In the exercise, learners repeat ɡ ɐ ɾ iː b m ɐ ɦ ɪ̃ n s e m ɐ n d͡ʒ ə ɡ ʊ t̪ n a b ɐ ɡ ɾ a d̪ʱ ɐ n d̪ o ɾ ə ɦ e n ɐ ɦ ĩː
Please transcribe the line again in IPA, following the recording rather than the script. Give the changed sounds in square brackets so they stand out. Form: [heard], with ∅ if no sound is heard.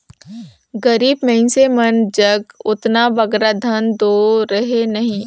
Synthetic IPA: ɡ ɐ ɾ iː b m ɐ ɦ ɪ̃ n s e m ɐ n d͡ʒ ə ɡ ʊ t̪ n a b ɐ ɡ ɾ a d̪ʱ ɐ n d̪ o ɾ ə ɦ e n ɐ ɦ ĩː